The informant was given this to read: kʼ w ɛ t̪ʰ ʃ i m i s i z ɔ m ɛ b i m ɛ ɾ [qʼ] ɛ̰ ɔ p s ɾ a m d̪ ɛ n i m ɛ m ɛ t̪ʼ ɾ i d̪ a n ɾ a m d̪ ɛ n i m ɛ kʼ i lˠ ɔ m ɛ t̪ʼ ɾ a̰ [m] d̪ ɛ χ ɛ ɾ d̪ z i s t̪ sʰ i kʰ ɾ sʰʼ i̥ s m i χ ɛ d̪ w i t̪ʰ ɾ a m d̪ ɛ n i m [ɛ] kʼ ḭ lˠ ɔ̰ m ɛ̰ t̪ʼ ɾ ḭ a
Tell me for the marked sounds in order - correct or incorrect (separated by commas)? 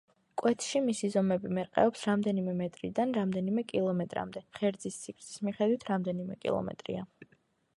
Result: correct, correct, correct